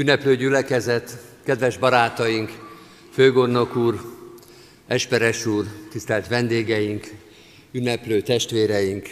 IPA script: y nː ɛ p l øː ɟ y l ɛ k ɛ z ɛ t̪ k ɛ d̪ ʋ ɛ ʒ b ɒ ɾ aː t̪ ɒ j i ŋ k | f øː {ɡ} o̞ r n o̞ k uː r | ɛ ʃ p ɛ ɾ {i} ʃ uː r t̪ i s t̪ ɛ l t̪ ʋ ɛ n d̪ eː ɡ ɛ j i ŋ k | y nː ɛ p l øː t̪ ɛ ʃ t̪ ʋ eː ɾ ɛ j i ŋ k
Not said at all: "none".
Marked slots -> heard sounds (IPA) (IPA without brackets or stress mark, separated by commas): ɡ, ɛ